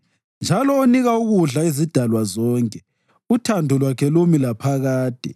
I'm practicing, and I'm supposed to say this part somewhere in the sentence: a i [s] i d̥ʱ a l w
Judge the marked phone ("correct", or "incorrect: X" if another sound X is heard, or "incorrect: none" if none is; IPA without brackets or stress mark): incorrect: z